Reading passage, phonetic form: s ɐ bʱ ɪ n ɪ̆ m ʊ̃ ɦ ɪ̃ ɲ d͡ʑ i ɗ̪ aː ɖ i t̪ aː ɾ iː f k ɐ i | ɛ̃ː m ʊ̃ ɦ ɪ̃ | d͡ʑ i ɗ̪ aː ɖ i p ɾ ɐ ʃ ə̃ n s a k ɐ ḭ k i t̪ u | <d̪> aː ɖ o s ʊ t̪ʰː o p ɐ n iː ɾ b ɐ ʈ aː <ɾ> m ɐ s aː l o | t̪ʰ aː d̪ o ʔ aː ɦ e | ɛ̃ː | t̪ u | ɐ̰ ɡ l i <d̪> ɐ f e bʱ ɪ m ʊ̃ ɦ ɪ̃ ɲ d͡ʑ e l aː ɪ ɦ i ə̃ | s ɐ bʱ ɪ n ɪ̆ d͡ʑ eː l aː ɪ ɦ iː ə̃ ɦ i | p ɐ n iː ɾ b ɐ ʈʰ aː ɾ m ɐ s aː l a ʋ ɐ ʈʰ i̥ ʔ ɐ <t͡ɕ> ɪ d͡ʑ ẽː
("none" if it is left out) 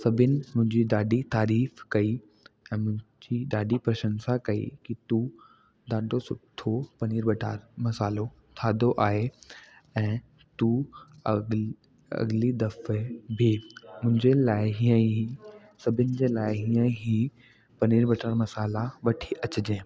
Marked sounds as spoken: d̪, ɾ, d̪, t͡ɕ

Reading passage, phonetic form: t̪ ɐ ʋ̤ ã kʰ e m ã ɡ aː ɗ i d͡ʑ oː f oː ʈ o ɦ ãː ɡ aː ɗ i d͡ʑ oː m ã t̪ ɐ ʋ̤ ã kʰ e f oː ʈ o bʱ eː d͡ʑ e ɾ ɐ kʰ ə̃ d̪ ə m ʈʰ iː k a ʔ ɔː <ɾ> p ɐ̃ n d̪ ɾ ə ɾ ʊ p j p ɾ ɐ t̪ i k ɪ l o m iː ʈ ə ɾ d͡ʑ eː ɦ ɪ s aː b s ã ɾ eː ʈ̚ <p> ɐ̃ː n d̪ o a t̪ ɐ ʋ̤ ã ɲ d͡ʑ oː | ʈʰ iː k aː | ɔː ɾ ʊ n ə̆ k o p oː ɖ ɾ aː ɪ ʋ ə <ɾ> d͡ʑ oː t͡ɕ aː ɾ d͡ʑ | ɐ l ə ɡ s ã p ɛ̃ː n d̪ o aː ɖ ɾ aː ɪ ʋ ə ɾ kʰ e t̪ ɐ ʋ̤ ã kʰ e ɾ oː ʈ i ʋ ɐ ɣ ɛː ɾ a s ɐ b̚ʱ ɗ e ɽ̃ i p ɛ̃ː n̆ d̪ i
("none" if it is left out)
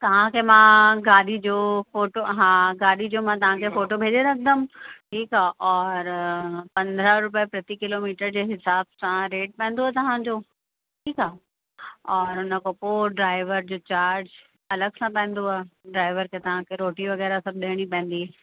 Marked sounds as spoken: ɾ, p, ɾ

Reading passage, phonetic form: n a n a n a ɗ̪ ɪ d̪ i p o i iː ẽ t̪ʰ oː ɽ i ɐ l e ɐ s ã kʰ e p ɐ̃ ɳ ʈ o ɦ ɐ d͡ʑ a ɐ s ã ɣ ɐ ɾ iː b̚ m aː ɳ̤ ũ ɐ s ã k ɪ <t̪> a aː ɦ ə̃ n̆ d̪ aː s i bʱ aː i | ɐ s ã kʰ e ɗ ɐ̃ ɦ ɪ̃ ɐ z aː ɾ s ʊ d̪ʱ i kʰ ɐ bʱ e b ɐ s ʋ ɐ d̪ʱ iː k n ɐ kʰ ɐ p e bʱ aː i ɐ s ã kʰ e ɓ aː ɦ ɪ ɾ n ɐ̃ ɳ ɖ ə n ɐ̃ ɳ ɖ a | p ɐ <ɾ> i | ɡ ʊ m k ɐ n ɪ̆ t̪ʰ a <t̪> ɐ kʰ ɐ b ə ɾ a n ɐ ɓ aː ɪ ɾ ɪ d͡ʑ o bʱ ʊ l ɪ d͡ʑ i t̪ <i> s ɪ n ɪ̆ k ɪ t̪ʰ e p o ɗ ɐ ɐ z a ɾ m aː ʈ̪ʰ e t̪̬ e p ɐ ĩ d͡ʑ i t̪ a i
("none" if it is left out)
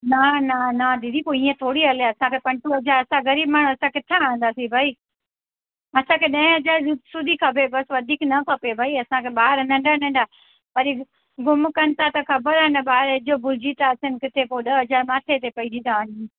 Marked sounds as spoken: t̪ʰ, ɾ, t̪, a

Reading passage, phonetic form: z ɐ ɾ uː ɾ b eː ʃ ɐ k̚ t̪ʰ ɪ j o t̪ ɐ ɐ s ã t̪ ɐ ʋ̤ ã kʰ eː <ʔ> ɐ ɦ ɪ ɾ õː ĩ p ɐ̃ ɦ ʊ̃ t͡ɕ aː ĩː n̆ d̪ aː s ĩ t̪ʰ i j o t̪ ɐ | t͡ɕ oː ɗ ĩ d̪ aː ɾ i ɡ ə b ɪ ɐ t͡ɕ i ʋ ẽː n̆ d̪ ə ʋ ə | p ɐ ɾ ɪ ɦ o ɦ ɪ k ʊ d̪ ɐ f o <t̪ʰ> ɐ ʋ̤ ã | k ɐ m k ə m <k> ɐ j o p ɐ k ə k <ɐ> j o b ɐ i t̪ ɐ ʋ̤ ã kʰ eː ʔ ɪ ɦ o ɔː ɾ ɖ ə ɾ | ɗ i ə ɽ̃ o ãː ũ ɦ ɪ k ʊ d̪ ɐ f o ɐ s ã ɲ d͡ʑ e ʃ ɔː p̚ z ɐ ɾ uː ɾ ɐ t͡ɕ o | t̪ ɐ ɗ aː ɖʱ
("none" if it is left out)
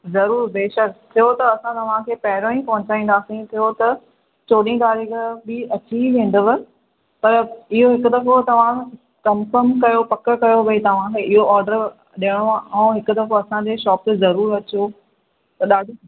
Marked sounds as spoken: p, t̪, k, ɐ

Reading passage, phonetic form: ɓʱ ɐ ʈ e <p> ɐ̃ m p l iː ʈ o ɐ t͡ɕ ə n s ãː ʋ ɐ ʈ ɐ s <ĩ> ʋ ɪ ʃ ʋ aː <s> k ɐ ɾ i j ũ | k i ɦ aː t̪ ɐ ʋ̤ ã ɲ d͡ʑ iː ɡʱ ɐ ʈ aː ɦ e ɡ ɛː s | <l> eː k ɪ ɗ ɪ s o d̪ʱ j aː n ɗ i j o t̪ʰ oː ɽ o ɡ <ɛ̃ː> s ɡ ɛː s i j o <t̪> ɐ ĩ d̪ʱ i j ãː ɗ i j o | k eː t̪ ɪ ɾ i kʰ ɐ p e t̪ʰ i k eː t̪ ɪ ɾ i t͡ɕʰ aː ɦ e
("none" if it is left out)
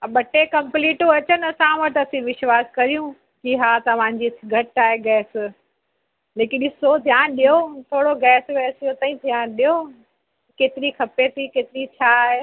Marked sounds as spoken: k, ĩ, s, l, ɛː, t̪

